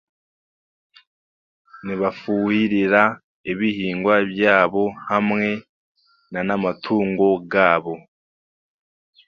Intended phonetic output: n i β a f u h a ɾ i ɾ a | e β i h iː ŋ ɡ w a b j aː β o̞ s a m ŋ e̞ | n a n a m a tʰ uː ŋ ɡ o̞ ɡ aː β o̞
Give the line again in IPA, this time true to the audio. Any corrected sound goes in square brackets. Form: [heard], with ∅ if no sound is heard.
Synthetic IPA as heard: n i β a f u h [i] ɾ i ɾ a | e β i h iː ŋ ɡ w a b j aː β o̞ [h] a m ŋ e̞ | n a n a m a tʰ uː ŋ ɡ o̞ ɡ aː β o̞